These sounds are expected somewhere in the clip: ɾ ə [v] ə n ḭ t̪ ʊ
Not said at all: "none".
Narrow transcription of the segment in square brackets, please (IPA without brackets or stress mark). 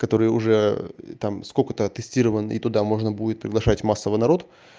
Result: v